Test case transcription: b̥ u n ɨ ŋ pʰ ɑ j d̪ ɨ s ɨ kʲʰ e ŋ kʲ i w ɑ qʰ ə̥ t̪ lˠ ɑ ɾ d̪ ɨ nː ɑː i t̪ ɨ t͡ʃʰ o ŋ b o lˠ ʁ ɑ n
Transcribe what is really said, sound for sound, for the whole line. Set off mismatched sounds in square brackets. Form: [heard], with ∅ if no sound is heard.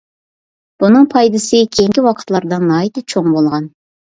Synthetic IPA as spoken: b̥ u n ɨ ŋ pʰ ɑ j d̪ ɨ s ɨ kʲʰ e ŋ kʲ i w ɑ qʰ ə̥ t̪ lˠ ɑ ɾ d̪ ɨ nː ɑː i t̪ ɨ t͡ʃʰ o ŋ b o lˠ ʁ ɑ n